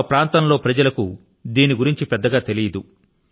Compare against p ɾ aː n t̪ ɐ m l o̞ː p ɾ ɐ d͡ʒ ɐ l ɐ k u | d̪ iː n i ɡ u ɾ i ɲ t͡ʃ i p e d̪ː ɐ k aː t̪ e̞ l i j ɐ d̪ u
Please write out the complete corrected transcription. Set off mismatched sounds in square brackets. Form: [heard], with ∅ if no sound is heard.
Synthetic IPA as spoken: p ɾ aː n t̪ ɐ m l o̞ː p ɾ ɐ d͡ʒ ɐ l ɐ k u | d̪ iː n i ɡ u ɾ i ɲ t͡ʃ i p [ɛ] d̪ː ɐ [ɡ] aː t̪ e̞ l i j ɐ d̪ u